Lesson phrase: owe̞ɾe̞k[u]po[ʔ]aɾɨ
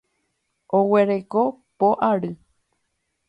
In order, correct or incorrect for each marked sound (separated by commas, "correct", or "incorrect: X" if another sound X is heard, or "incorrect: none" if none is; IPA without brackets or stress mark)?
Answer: incorrect: o, correct